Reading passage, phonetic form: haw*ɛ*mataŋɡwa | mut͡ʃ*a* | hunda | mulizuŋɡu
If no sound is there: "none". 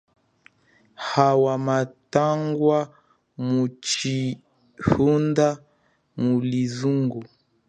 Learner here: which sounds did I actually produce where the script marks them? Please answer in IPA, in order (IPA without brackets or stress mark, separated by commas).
a, i